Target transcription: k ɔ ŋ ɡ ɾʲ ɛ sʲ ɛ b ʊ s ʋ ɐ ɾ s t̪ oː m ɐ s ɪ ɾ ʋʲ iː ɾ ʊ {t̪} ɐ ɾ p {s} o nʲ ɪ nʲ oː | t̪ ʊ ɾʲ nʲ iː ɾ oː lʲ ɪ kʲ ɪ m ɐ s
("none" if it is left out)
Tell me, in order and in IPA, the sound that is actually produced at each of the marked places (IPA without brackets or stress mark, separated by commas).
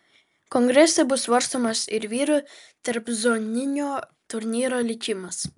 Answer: t̪, z